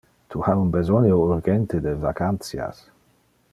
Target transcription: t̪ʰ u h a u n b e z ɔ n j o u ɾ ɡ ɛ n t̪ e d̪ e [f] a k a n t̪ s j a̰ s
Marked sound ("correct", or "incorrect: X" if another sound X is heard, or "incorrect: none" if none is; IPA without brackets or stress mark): incorrect: v